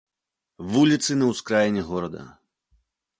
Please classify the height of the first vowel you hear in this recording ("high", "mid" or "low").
high